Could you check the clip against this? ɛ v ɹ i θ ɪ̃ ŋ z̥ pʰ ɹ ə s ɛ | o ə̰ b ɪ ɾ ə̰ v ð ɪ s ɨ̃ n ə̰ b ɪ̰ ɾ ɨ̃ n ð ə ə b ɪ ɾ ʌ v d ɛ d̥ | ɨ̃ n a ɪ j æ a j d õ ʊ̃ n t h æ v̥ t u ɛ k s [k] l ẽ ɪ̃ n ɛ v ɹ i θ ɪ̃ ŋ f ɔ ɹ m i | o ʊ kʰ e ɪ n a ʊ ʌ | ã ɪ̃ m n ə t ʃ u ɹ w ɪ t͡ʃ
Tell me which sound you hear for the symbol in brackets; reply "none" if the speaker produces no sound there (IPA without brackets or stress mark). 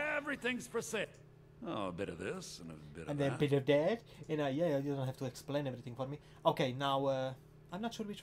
p